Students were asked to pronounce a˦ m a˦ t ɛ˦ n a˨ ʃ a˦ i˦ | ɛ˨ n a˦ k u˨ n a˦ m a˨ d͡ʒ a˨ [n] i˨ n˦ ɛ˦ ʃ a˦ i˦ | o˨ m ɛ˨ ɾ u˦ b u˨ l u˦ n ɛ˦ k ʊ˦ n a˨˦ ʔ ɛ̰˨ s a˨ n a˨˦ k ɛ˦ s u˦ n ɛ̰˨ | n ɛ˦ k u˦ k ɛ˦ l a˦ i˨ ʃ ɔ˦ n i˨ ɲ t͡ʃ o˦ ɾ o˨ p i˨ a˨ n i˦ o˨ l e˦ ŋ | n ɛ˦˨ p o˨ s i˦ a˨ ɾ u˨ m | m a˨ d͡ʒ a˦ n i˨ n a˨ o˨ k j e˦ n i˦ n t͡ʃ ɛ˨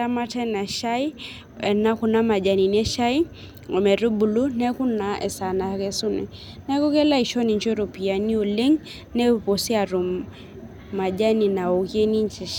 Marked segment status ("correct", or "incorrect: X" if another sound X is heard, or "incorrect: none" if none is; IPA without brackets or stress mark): correct